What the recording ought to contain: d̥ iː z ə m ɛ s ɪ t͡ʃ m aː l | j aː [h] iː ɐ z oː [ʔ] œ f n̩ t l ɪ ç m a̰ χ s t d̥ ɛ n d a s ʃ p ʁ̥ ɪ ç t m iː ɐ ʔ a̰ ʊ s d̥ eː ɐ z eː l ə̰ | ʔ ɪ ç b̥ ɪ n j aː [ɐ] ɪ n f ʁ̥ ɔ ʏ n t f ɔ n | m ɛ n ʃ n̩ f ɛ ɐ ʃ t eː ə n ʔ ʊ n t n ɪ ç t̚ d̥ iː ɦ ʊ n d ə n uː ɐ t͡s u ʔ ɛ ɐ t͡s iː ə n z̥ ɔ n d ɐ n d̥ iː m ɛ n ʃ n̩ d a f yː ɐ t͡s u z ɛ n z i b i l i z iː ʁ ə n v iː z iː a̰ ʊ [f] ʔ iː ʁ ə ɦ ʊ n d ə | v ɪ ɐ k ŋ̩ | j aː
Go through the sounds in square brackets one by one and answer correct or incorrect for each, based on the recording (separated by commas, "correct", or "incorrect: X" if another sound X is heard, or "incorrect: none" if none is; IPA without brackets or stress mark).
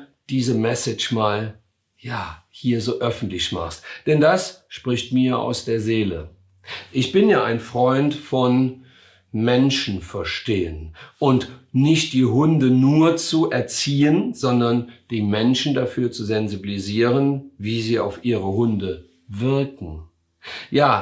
correct, correct, incorrect: a, correct